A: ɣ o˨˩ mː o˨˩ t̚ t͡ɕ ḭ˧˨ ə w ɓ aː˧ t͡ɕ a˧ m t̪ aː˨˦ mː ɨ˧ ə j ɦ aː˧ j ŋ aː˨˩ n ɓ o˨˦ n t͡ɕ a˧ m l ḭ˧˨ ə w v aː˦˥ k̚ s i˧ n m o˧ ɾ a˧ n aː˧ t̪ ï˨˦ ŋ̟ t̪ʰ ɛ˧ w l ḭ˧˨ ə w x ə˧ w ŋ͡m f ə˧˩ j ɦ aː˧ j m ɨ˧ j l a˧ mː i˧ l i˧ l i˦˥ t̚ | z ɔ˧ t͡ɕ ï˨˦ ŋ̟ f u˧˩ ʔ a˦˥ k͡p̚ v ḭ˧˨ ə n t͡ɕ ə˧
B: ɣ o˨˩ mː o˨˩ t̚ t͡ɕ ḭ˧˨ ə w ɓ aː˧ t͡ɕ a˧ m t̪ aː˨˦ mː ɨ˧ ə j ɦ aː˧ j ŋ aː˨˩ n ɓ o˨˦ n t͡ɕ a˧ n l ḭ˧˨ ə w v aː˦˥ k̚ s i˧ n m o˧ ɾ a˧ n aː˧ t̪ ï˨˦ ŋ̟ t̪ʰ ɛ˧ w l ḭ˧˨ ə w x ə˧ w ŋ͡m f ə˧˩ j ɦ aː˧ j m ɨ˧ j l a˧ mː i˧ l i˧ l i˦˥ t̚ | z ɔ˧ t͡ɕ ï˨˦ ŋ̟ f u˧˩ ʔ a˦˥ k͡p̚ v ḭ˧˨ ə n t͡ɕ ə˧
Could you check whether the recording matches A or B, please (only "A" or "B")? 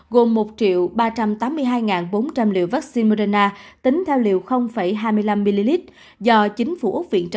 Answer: A